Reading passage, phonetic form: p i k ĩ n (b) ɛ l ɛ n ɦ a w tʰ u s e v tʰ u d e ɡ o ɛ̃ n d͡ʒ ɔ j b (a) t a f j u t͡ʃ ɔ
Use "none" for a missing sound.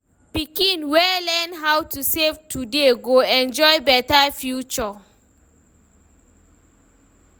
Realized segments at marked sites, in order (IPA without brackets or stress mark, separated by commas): w, ɛ